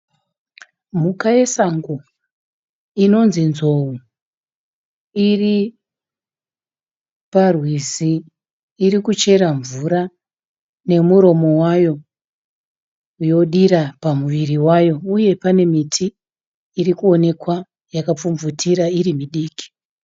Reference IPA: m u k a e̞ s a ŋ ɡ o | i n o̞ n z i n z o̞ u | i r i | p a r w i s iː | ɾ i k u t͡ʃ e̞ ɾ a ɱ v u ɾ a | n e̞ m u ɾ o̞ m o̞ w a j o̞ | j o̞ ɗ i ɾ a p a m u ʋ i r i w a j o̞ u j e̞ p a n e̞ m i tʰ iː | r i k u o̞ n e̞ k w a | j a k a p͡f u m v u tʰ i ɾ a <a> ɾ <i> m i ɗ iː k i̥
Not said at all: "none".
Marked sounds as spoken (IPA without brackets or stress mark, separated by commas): i, i